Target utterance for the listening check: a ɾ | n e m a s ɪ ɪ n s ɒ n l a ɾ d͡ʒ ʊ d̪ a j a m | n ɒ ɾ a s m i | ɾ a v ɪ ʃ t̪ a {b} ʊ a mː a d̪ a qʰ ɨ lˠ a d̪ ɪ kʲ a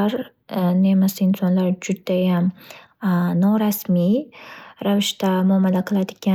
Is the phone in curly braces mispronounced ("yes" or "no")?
yes